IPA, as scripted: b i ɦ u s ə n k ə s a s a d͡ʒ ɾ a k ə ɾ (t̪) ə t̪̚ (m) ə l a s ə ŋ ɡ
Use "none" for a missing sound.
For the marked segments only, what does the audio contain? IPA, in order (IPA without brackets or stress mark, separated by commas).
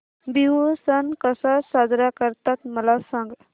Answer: t̪, m